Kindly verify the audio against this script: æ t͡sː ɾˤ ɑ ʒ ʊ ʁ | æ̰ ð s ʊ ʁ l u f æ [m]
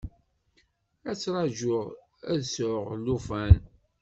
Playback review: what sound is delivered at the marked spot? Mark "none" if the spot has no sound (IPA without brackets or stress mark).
n